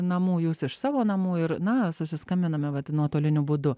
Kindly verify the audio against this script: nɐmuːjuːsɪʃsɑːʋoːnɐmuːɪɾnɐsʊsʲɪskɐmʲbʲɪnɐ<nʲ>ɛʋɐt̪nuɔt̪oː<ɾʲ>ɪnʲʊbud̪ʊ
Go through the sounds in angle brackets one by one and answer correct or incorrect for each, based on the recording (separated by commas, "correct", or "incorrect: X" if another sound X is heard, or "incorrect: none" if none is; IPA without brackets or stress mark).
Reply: incorrect: mʲ, incorrect: lʲ